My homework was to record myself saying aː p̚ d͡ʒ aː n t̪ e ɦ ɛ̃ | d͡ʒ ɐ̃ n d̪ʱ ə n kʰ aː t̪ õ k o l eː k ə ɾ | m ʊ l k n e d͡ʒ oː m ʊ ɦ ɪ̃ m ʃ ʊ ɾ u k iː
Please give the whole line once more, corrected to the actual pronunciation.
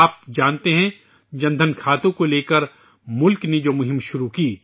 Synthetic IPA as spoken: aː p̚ d͡ʒ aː n t̪ e ɦ ɛ̃ | d͡ʒ ɐ̃ n d̪ʱ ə n kʰ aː t̪ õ k o l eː k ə ɾ | m ʊ l k n e d͡ʒ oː m ʊ ɦ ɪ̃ m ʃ ʊ ɾ u k iː